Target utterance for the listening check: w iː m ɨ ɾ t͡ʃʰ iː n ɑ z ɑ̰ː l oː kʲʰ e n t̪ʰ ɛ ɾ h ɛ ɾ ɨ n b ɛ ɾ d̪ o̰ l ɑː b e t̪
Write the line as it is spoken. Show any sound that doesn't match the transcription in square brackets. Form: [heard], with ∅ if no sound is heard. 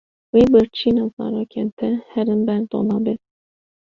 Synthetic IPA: w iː [b] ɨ ɾ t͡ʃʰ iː n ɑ z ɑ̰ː [ɾ] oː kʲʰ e n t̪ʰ ɛ [∅] h ɛ ɾ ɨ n b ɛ ɾ d̪ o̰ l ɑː b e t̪